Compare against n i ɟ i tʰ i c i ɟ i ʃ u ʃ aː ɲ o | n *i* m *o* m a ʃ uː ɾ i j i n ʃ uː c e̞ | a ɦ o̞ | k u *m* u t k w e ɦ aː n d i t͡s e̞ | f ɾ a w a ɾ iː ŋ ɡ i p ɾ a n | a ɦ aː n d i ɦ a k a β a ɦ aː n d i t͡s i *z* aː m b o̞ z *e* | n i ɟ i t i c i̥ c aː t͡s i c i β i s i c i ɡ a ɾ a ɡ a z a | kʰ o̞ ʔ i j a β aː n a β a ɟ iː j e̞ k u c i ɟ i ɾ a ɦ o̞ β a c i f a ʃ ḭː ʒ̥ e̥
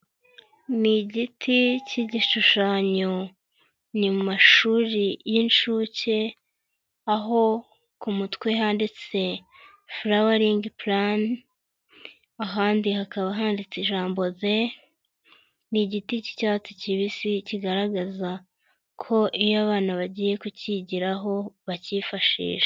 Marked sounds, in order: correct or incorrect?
correct, incorrect, correct, incorrect, correct

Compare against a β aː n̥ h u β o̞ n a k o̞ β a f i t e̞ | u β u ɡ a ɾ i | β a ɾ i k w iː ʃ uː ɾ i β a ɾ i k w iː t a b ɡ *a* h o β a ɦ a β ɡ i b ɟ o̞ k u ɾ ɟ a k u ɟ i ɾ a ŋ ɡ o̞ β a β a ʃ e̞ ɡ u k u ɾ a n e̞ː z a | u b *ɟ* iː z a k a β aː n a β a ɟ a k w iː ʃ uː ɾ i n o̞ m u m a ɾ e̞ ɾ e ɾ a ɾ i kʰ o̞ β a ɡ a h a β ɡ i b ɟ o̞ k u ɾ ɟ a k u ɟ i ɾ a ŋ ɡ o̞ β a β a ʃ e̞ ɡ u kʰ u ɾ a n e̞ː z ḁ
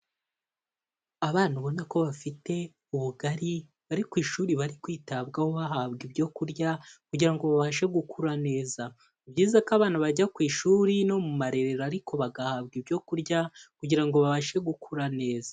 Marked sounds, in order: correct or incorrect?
correct, correct

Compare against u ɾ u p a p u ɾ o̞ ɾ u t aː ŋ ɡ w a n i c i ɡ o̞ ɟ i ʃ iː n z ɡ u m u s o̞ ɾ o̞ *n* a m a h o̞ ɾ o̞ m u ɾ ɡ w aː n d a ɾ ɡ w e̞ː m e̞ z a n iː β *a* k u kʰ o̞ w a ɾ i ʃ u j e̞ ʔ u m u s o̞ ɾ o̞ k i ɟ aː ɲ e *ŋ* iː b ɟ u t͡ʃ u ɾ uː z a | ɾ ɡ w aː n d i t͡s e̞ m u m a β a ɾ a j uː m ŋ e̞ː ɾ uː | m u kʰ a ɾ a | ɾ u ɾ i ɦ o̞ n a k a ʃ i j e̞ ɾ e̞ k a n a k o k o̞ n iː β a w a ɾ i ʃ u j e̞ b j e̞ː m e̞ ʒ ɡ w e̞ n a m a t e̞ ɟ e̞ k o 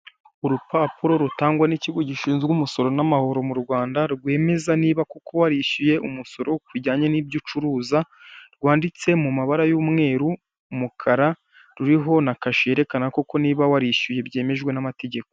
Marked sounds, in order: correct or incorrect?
correct, correct, incorrect

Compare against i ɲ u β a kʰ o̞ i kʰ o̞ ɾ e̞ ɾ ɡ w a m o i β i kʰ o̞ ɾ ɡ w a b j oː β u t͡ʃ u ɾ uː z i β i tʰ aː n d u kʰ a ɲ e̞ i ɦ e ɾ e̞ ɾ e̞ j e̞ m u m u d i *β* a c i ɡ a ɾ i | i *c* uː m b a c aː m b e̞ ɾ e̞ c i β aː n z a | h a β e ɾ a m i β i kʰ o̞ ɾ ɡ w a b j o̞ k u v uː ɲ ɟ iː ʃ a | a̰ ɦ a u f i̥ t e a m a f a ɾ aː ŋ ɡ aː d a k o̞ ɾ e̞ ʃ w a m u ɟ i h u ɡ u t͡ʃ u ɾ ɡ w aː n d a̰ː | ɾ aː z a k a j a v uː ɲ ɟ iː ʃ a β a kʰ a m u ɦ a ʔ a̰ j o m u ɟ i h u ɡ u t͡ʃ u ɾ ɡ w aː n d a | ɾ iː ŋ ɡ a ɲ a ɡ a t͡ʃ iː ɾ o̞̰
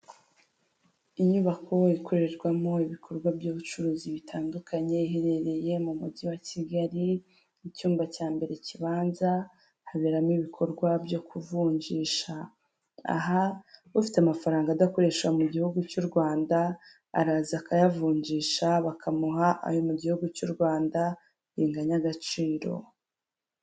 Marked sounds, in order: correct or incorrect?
incorrect, correct

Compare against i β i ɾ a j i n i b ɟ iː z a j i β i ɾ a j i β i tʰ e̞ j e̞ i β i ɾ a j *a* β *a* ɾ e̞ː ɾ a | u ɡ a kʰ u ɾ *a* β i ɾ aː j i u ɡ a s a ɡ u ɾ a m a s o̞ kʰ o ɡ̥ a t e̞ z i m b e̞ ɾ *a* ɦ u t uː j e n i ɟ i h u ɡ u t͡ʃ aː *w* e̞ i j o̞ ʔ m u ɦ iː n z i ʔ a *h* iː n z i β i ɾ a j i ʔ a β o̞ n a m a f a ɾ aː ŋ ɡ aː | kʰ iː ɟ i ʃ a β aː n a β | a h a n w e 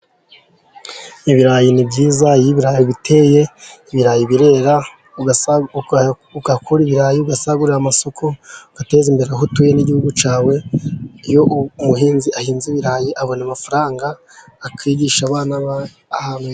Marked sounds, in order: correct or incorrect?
incorrect, incorrect, incorrect, incorrect, correct, correct

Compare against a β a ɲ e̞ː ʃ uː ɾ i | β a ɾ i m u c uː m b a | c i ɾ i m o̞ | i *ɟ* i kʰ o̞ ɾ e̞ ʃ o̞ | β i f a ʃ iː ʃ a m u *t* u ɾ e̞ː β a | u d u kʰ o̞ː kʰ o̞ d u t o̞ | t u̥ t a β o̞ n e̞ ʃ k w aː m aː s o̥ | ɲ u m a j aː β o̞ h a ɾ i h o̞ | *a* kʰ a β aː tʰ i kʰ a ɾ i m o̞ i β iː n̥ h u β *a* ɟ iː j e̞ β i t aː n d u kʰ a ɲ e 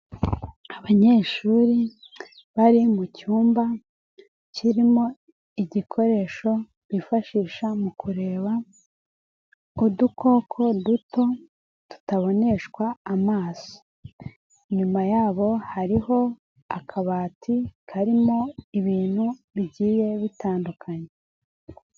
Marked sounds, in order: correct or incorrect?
correct, incorrect, correct, incorrect

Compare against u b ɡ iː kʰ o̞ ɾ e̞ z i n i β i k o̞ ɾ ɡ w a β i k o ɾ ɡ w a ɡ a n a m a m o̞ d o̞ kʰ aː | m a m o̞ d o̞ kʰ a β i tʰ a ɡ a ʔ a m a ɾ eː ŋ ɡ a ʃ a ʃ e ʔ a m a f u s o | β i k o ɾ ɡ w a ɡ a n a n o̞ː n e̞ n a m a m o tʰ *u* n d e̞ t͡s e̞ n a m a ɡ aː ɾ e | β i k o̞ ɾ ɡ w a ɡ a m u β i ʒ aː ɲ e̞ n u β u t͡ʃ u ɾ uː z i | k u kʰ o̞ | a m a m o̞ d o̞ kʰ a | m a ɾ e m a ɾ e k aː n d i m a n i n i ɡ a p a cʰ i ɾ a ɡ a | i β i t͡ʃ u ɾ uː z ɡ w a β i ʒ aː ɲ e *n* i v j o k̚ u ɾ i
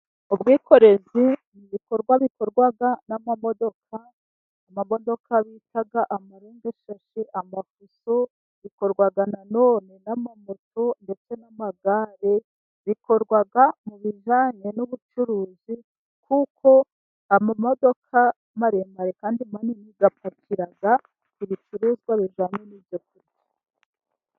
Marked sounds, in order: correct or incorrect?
incorrect, correct

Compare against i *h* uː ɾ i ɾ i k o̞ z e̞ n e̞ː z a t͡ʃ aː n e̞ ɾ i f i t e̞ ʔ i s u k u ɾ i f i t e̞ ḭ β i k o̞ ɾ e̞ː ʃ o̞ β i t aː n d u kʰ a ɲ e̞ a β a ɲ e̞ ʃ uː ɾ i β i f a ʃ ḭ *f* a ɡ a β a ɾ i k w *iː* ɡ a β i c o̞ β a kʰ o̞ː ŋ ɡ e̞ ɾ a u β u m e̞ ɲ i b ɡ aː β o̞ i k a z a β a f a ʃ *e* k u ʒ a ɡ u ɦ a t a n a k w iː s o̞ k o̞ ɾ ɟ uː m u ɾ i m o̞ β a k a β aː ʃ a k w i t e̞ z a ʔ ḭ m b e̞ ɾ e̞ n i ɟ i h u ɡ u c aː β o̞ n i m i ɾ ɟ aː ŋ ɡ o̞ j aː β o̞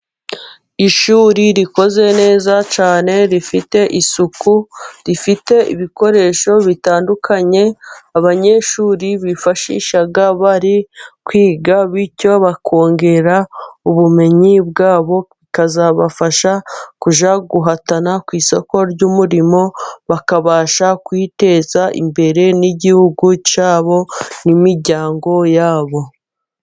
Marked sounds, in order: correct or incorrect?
incorrect, incorrect, correct, incorrect

